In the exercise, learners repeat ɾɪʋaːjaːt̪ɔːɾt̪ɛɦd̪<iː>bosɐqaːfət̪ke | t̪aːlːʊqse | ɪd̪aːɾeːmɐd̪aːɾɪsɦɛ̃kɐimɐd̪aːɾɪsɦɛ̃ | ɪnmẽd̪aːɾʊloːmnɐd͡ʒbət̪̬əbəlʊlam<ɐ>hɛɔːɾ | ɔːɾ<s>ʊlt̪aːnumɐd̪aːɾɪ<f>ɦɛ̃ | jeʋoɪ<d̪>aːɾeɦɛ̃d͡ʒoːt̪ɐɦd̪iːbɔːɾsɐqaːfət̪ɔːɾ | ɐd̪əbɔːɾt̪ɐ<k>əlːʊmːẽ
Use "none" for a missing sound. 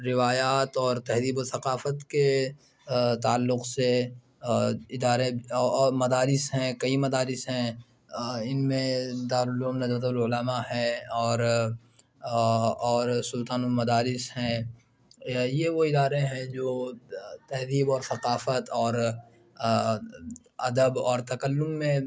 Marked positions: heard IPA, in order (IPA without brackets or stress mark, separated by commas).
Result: iː, a, s, s, d̪, k